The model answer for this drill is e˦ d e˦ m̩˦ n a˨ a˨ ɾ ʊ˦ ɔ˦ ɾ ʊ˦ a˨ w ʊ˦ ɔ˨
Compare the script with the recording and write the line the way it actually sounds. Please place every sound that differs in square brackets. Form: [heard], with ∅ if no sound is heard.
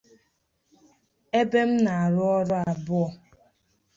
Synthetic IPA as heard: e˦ [b] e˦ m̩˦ n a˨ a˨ ɾ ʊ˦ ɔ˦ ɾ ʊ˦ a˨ [b] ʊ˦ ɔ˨